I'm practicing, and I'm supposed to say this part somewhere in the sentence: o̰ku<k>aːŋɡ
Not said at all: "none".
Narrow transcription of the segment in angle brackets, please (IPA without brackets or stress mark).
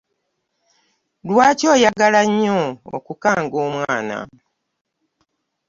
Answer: k